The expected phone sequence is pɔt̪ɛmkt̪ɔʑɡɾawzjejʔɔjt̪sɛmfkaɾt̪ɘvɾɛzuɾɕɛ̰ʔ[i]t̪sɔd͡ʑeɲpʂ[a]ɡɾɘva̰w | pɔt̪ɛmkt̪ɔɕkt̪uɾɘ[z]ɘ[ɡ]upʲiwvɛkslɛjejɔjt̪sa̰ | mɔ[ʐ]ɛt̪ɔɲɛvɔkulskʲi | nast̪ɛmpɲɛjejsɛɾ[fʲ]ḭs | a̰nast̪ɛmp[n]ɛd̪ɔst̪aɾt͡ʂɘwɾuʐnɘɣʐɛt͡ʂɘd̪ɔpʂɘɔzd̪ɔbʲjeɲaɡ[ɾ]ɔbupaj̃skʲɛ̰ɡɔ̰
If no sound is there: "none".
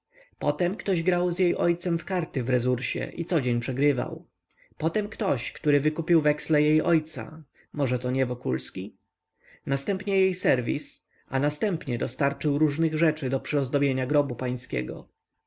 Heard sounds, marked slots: i, ɛ, v, k, ʐ, vʲ, ɲ, ɾ

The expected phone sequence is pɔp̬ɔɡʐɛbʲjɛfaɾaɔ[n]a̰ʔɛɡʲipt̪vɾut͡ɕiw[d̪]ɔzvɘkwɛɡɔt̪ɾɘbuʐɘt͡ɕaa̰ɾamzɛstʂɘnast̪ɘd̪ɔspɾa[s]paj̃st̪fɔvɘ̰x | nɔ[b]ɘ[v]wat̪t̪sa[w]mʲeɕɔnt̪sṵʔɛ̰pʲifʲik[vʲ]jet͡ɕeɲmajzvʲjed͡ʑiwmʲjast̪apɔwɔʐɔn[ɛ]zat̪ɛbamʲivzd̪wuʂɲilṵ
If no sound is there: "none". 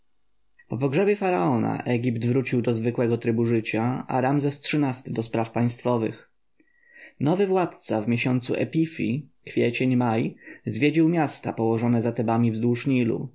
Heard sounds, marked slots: n, d̪, f, v, v, v, fʲ, ɛ

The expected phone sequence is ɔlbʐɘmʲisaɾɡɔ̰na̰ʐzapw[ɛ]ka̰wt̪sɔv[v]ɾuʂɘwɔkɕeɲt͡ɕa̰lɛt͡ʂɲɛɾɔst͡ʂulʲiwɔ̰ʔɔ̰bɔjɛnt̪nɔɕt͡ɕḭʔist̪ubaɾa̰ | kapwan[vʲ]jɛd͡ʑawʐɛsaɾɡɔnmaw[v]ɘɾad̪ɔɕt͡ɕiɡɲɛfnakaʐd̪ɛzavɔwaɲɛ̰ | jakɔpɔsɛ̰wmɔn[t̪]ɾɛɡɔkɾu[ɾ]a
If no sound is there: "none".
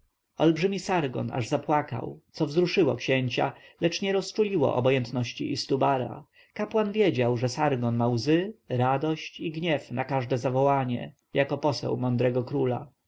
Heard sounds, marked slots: a, z, vʲ, z, d̪, l

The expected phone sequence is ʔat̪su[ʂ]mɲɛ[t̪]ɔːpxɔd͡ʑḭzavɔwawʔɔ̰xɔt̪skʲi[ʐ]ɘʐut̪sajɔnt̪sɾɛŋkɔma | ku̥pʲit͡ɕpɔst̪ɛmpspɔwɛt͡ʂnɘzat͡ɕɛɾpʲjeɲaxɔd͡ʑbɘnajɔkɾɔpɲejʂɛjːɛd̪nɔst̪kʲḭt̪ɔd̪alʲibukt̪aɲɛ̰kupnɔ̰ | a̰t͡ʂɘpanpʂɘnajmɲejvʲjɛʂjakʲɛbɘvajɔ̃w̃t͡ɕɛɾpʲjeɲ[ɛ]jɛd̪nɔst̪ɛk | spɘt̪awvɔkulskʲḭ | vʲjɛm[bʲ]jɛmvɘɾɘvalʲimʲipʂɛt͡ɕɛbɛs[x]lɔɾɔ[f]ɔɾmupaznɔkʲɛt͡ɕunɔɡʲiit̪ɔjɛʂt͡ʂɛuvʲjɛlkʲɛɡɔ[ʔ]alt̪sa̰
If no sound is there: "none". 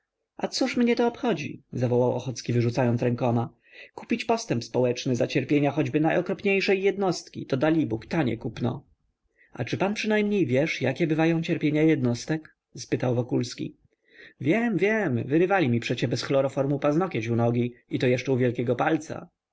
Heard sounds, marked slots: ʂ, t̪, v, a, vʲ, x, f, p

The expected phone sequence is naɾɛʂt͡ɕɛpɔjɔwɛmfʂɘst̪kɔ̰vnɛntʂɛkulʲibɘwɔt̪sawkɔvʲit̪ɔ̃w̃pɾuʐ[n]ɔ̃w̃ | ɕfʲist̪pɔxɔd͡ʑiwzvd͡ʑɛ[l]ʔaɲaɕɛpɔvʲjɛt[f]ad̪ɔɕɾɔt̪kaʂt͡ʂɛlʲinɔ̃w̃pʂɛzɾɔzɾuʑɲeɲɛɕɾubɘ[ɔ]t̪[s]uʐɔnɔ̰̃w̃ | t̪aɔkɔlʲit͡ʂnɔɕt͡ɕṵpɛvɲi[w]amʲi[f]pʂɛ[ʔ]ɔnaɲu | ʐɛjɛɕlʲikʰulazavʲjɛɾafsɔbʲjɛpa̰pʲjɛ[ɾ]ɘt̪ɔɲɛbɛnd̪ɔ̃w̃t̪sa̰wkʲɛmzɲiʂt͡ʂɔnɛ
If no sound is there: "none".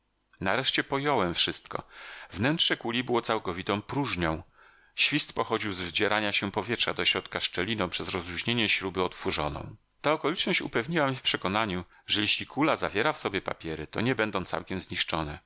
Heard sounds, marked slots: ɲ, ɾ, ʂ, ɔ, f, w, f, k, ɾ

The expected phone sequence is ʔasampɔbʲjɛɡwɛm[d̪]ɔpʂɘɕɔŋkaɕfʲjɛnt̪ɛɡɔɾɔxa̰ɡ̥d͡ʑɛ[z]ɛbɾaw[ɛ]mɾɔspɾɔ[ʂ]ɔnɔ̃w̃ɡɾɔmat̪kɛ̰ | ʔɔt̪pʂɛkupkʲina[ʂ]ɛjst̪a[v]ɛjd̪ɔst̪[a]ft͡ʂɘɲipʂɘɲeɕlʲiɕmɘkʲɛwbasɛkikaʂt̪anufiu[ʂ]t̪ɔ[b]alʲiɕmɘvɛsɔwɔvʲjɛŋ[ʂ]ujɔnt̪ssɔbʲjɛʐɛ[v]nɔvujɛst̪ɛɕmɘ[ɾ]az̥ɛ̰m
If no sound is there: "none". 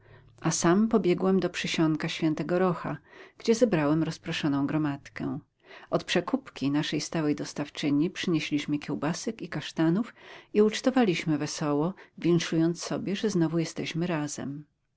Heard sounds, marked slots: d̪, z, ɛ, ʂ, ʂ, w, a, t͡ʂ, v, ʂ, z, ɾ

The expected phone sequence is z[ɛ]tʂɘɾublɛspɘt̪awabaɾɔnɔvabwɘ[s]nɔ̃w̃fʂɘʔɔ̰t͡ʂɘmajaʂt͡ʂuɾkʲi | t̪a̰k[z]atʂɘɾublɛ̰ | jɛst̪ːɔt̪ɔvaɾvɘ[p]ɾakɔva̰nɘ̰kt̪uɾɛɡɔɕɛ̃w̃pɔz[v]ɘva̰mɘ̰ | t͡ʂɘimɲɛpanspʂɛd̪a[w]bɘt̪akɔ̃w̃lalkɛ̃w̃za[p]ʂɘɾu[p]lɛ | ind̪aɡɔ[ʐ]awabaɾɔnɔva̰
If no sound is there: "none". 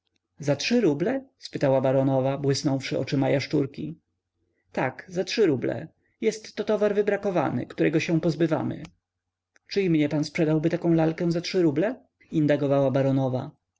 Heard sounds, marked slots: a, s, z, b, b, w, t, b, v

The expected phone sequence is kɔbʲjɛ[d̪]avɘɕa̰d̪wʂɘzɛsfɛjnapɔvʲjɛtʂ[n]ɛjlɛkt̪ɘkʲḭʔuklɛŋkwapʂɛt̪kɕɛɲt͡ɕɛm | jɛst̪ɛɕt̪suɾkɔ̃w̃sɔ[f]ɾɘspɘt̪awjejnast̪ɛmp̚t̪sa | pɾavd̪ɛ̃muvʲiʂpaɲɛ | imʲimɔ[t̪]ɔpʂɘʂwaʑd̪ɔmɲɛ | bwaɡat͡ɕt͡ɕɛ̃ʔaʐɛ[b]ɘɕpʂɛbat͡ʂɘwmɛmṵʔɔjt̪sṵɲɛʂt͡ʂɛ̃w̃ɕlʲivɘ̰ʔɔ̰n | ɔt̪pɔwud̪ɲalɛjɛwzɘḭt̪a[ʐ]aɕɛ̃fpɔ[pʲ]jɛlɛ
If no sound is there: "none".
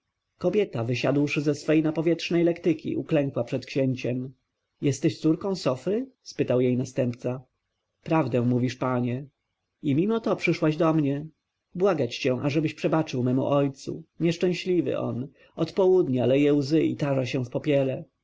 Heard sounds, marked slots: t̪, n, f, t̪, b, ʐ, pʲ

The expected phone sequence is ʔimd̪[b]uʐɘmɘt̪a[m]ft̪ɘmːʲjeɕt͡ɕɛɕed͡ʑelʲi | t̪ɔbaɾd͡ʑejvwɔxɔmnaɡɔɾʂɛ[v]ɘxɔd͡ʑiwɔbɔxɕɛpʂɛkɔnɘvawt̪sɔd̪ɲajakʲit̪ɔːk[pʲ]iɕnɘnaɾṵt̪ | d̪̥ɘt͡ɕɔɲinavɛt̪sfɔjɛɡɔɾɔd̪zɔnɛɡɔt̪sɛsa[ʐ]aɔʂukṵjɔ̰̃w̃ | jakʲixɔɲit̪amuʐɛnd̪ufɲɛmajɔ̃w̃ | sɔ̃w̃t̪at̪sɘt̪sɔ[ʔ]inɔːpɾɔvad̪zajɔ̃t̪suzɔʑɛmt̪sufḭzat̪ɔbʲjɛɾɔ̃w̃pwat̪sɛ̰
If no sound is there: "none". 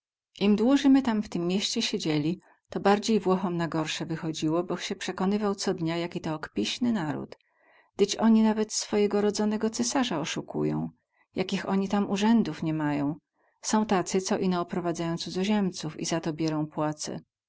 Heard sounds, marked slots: w, m, v, pʲ, ʐ, ʔ

